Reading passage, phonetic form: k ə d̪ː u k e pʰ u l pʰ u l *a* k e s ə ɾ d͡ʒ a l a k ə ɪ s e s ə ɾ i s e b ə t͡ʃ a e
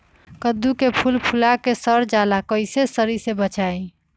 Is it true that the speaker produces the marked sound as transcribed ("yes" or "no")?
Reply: yes